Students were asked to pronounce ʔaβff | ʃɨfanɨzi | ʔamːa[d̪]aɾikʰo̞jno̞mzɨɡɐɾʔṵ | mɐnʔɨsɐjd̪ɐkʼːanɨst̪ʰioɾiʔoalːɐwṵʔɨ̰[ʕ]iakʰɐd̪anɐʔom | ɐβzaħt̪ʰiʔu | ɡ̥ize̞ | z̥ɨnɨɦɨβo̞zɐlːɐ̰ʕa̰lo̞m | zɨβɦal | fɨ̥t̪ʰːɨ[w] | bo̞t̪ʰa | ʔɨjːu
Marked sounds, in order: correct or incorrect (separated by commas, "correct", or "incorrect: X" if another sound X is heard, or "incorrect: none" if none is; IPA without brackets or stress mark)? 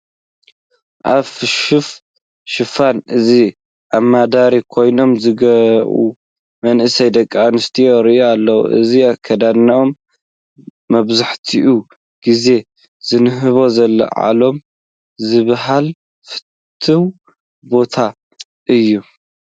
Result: correct, incorrect: z, correct